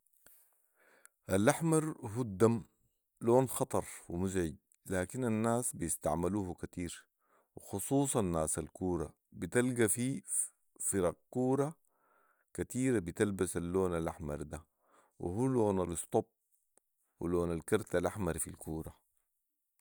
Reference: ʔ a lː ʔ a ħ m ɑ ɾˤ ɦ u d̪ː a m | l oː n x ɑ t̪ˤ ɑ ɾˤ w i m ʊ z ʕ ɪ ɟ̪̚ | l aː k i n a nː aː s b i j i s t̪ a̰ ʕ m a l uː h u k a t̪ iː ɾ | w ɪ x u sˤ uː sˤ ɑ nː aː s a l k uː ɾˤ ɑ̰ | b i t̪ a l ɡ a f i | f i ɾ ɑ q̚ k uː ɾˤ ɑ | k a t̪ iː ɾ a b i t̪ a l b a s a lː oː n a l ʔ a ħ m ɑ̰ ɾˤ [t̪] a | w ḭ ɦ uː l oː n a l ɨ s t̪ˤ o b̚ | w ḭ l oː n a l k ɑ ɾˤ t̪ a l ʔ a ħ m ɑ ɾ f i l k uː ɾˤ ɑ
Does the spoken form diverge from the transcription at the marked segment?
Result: yes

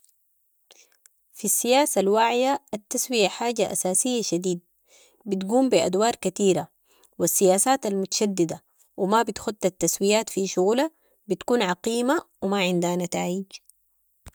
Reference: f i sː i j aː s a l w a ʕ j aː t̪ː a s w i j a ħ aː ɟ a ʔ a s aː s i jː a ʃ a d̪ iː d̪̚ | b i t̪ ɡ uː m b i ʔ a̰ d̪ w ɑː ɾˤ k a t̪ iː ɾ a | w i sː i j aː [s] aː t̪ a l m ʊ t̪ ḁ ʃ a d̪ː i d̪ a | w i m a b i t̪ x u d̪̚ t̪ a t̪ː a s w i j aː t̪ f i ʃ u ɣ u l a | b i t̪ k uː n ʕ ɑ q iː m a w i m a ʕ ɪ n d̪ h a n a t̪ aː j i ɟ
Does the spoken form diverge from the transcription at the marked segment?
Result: no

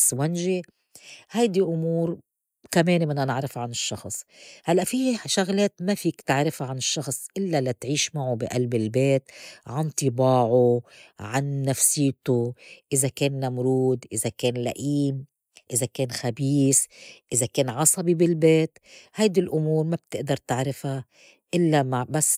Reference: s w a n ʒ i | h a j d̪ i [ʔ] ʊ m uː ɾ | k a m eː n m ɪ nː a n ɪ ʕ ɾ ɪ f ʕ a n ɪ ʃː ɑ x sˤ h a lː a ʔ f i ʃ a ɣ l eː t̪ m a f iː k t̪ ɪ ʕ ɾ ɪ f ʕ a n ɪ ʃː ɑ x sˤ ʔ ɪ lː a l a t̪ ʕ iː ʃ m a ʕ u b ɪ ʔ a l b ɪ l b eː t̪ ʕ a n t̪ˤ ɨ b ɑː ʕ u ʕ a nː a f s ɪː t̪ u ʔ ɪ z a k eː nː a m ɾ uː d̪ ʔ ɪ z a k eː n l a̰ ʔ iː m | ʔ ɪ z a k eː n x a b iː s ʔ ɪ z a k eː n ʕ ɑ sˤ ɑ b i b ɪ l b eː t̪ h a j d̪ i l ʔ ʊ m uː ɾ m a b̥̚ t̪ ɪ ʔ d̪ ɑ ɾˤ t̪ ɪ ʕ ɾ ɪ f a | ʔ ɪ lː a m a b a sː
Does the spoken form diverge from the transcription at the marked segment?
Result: no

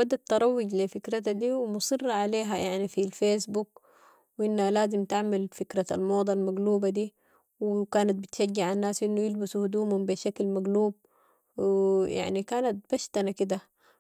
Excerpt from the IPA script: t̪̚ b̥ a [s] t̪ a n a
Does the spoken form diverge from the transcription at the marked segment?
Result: yes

